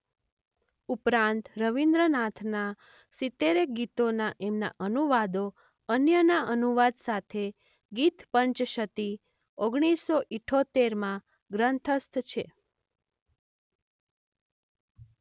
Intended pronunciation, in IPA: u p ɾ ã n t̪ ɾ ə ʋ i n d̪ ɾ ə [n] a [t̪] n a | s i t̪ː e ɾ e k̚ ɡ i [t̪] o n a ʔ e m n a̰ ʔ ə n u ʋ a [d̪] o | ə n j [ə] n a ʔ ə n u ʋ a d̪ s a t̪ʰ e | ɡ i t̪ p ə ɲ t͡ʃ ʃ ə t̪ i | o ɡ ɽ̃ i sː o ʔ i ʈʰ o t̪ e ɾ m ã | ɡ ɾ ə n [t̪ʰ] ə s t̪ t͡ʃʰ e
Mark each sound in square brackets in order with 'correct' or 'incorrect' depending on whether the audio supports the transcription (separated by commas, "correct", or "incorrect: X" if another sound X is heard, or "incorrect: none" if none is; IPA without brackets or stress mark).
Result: correct, incorrect: t̪ʰ, correct, correct, correct, correct